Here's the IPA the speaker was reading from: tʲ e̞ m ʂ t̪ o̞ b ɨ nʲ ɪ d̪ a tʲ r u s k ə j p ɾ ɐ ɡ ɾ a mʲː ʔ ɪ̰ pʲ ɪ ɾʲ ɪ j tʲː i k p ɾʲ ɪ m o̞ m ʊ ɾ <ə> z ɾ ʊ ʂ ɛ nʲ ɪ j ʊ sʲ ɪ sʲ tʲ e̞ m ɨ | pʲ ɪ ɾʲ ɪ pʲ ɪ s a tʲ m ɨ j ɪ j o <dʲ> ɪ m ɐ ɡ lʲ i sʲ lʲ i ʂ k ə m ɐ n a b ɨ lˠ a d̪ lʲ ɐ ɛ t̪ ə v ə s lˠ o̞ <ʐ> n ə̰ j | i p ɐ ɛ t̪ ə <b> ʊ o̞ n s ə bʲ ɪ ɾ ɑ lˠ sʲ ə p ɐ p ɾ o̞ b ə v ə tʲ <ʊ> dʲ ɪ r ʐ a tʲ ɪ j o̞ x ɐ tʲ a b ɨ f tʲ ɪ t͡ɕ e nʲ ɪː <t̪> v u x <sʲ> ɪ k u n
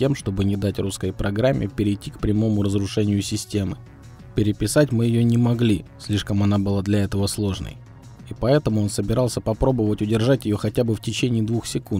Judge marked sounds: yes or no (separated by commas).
yes, no, yes, no, yes, no, yes